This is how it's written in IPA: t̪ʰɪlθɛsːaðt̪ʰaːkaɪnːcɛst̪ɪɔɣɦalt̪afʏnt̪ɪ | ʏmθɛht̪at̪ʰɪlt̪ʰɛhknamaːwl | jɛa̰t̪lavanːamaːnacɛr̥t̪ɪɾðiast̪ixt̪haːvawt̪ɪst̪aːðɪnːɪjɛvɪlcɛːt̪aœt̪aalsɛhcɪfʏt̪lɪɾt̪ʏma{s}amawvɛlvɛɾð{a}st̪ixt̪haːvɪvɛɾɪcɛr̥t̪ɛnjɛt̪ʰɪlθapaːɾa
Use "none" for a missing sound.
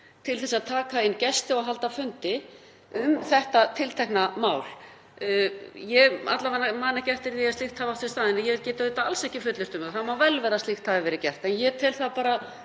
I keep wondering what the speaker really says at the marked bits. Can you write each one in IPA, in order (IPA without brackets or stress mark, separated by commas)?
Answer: θ, a